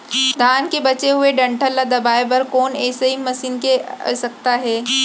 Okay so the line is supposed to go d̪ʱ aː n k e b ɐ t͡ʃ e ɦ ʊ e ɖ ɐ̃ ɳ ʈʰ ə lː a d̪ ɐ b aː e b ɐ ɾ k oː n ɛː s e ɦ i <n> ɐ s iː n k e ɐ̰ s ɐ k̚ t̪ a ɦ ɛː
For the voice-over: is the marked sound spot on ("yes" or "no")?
no